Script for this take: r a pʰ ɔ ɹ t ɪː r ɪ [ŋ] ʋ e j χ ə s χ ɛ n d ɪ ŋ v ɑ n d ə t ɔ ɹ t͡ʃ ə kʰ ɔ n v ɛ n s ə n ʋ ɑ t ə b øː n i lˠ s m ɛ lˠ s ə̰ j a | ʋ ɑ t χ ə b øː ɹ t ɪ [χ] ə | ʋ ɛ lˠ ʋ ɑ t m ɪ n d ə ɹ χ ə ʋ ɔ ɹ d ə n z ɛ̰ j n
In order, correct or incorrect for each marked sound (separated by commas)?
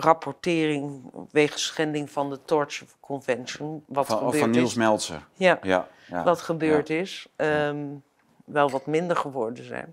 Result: correct, incorrect